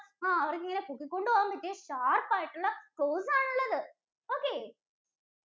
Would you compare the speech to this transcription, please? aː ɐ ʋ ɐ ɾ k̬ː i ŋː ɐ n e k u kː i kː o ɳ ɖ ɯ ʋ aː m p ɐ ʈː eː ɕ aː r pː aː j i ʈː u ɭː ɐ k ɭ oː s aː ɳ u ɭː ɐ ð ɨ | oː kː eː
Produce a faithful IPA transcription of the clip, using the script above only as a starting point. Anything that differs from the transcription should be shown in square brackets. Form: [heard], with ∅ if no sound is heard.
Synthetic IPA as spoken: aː ɐ ʋ ɐ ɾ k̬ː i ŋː ɐ n e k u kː i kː o ɳ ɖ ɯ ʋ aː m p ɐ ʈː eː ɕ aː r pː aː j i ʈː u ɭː ɐ k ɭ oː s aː ɳ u ɭː ɐ ð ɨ | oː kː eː